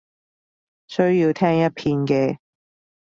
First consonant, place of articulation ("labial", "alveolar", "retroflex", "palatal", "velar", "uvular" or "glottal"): alveolar